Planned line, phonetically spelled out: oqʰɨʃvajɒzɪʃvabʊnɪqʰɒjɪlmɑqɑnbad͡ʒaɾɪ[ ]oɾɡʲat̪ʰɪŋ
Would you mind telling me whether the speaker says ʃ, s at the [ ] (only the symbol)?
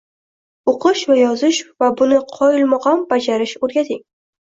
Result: ʃ